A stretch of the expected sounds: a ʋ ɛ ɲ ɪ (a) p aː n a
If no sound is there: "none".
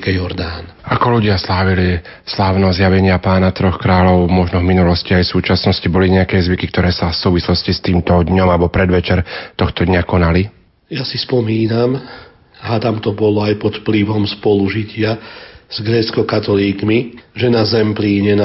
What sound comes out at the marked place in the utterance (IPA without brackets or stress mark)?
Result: a